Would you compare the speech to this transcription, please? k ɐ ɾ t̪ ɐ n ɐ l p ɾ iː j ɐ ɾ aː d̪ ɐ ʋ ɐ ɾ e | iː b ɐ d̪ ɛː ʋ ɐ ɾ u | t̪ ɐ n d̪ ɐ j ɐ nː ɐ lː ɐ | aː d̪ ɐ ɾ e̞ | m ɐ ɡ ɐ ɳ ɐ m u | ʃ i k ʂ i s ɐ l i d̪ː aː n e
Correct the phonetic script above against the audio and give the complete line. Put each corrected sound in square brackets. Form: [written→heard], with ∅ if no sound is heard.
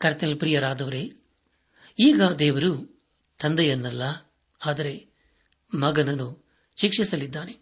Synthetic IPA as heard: k ɐ ɾ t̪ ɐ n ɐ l p ɾ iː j ɐ ɾ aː d̪ ɐ ʋ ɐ ɾ e | iː [b→ɡ] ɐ d̪ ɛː ʋ ɐ ɾ u | t̪ ɐ n d̪ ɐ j ɐ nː ɐ lː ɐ | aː d̪ ɐ ɾ e̞ | m ɐ ɡ ɐ [ɳ→n] ɐ [m→n] u | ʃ i k ʂ i s ɐ l i d̪ː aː n e